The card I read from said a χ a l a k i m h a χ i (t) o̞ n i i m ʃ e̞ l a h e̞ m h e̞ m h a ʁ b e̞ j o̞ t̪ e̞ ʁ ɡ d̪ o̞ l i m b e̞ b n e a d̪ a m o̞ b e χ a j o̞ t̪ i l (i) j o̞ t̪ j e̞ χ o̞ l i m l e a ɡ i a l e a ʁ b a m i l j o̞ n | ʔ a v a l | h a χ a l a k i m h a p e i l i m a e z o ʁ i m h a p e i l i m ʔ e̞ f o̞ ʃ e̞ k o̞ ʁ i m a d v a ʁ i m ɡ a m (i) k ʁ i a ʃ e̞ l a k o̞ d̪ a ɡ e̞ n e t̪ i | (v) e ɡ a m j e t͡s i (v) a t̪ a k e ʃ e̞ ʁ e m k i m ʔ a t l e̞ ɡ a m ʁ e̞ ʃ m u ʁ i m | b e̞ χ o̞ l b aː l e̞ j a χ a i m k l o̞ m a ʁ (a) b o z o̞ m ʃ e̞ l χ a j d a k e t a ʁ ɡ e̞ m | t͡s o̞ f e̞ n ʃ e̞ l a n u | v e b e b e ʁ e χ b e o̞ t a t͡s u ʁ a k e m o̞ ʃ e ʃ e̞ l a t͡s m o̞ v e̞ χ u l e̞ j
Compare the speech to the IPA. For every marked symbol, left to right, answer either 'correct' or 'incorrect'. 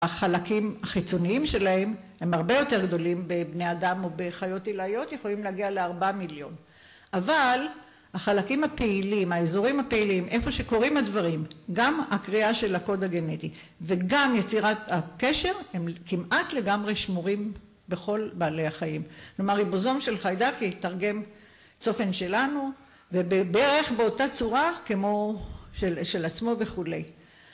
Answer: incorrect, incorrect, incorrect, correct, incorrect, incorrect

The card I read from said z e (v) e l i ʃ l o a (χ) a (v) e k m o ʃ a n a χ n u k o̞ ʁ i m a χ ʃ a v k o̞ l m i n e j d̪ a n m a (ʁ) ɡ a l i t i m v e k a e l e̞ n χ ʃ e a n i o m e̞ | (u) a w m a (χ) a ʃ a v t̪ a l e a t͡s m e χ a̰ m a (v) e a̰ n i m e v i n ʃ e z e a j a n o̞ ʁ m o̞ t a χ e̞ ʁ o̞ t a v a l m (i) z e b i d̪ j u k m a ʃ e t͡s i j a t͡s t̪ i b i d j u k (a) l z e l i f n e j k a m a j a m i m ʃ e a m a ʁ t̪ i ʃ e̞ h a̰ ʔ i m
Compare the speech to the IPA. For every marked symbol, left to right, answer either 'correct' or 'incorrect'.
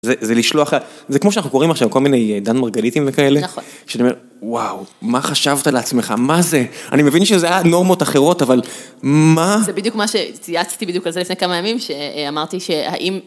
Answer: incorrect, correct, incorrect, correct, incorrect, correct, incorrect, incorrect, correct

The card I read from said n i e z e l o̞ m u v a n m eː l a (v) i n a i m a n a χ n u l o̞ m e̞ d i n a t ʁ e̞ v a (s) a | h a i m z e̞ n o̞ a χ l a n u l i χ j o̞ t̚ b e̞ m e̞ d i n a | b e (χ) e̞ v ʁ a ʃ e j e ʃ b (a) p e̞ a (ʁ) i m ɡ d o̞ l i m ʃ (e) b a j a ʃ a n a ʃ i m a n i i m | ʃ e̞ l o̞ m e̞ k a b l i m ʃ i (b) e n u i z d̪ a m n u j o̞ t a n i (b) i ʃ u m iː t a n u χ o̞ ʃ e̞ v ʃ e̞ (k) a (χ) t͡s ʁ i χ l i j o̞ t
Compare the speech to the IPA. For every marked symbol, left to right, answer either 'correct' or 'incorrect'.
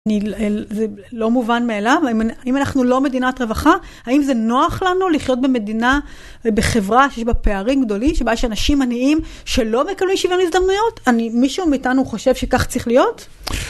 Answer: correct, incorrect, correct, correct, correct, correct, incorrect, incorrect, correct, correct

